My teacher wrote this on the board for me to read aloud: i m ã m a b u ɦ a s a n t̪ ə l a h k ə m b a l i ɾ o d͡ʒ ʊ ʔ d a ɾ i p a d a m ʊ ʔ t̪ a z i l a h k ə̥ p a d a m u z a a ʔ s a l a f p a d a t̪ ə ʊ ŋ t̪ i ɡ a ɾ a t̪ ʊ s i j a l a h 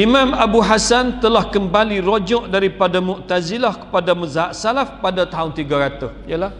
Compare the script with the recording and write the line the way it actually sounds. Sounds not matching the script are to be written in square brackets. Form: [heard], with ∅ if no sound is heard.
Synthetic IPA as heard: i m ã m a b u ɦ a s a n t̪ ə l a h k ə m b a l i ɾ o d͡ʒ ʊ ʔ d a ɾ i p a d a m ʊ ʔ t̪ a z i l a h k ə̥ p a d a m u z a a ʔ s a l a f p a d a t̪ [a] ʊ [n] t̪ i ɡ a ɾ a t̪ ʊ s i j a l a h

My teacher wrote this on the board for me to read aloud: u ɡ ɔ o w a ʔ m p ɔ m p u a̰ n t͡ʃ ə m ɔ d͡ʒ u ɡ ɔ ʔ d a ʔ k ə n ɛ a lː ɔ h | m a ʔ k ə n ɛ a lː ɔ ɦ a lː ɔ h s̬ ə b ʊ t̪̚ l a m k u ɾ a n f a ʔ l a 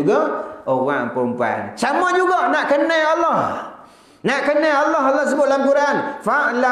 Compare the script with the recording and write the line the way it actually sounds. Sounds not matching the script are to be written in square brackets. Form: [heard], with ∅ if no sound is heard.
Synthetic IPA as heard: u ɡ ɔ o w a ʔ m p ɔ m p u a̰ n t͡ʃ [a] m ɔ d͡ʒ u ɡ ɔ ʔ [n] a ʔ k ə n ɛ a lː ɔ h | [n] a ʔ k ə n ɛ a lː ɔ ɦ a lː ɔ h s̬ ə b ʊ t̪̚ l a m k u ɾ a n f a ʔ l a

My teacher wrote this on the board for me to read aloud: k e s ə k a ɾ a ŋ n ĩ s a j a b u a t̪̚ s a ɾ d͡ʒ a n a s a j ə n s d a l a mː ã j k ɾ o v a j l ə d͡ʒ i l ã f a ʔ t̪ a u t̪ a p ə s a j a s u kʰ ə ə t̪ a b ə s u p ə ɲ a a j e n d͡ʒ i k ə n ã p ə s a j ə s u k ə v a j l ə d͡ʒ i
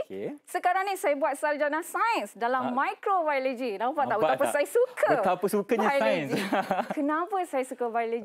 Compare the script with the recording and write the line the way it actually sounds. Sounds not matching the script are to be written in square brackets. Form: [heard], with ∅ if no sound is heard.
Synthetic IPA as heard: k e s ə k a ɾ a ŋ n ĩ s a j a b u a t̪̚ s a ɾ d͡ʒ a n a s a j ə n s d a l a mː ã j k ɾ o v a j l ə d͡ʒ i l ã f a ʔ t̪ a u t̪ a p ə s a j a s u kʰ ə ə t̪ a [p] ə s u [k] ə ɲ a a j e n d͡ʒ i k ə n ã p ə s a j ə s u k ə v a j l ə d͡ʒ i

